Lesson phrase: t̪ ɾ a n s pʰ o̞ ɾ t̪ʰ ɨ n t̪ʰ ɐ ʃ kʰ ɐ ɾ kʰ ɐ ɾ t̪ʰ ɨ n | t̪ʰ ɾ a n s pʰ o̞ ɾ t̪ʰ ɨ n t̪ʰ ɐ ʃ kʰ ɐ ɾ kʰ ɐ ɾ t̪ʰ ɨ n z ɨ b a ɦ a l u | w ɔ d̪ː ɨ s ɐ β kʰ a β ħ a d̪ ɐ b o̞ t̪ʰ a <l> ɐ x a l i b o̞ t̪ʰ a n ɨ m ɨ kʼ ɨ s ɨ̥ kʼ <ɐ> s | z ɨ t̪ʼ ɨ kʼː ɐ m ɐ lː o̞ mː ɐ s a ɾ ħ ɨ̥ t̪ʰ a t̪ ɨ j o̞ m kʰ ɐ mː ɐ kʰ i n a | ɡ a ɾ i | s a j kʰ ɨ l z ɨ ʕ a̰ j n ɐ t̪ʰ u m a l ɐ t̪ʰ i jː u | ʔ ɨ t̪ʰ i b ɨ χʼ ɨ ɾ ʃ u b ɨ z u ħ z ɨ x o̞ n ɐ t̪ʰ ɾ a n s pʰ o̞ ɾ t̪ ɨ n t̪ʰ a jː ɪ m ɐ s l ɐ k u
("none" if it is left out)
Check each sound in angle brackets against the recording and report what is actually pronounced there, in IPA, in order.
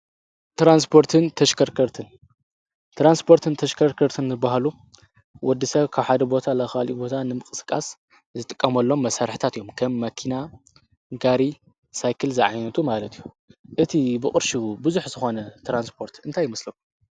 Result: l, a

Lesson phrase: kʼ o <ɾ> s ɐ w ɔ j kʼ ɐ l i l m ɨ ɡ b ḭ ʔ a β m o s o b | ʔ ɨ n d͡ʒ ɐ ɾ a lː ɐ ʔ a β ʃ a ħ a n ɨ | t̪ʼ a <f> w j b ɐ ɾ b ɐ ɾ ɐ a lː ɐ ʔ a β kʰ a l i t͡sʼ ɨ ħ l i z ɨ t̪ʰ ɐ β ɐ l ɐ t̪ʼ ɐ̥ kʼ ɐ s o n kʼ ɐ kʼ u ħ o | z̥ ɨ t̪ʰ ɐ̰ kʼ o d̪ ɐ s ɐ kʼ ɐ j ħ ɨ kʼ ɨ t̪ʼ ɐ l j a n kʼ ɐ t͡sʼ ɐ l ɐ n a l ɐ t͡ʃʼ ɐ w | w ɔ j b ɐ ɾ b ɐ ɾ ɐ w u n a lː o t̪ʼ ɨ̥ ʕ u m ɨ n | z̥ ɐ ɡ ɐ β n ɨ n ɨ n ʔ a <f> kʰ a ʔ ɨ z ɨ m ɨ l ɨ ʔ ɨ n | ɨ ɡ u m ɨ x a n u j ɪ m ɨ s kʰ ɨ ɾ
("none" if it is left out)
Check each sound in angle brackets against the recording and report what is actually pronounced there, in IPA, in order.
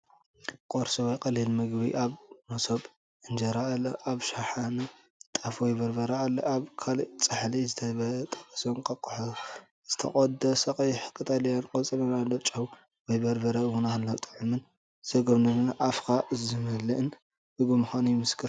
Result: ɾ, f, f

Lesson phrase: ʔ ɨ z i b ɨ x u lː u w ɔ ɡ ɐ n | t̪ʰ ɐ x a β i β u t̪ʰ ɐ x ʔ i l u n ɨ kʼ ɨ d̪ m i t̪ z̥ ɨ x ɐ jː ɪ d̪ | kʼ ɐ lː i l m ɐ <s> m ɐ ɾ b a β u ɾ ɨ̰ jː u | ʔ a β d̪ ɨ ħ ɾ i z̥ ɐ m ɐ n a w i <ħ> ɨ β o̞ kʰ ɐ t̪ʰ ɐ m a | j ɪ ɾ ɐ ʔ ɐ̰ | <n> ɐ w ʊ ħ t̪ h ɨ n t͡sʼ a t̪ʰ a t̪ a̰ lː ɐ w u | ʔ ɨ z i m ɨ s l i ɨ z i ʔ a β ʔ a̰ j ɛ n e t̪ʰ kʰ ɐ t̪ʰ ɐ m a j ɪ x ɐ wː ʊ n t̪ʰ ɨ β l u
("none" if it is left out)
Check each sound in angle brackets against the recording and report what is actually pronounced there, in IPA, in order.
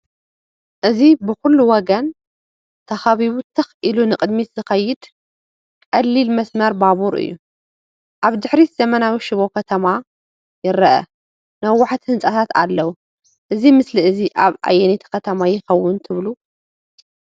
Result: s, ʃ, n

